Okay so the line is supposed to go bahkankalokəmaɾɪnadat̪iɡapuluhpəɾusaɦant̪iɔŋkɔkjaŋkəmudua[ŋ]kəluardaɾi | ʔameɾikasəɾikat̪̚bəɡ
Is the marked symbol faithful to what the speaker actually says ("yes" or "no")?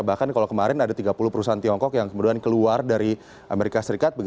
no